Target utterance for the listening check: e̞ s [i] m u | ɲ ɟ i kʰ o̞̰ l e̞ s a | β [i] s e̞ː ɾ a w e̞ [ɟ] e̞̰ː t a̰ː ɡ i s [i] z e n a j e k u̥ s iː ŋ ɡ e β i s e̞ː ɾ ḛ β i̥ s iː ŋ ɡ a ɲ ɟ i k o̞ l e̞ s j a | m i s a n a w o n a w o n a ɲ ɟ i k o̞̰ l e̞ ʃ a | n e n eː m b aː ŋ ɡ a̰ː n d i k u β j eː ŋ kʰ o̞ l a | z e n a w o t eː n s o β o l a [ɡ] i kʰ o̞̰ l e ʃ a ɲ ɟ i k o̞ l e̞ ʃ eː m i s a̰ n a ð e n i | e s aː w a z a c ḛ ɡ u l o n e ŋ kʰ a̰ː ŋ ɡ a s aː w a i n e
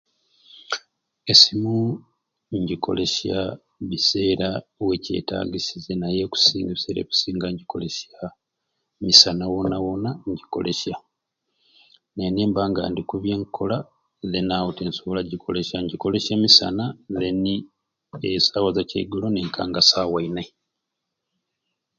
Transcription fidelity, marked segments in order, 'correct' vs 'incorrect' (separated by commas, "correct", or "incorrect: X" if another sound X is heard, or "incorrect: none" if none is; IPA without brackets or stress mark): correct, correct, incorrect: c, correct, incorrect: ɟ